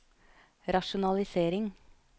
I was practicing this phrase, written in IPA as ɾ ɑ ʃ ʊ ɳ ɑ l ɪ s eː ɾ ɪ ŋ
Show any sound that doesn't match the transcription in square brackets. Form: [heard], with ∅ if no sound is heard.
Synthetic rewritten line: ɾ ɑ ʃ ʊ [n] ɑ l ɪ s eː ɾ ɪ ŋ